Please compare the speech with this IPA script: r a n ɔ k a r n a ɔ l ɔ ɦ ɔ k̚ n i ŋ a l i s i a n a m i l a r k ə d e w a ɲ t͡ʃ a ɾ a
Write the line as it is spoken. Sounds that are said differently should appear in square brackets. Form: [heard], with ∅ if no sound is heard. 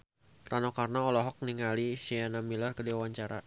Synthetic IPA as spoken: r a n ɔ k a r n a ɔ l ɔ ɦ ɔ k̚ n i ŋ a l i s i a n a m i l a r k ə d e w a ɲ t͡ʃ a ɾ a